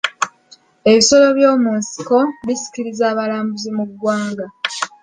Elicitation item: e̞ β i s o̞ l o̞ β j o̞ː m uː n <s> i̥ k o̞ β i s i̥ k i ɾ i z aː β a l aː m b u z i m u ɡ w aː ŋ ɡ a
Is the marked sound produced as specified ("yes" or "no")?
yes